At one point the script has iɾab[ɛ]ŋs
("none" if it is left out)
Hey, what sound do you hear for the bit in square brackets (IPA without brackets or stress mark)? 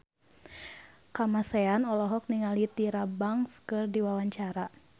a